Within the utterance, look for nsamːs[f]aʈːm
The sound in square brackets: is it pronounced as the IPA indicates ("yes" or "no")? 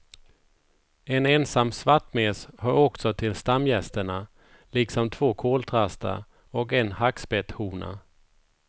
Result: no